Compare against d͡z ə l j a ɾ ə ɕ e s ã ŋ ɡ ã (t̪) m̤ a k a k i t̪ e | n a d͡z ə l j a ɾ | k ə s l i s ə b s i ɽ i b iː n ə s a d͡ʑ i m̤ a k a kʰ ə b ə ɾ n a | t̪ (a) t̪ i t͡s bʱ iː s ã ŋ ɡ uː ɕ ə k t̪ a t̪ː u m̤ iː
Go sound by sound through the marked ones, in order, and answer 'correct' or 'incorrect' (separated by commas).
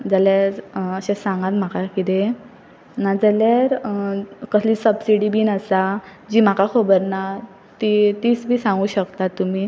correct, incorrect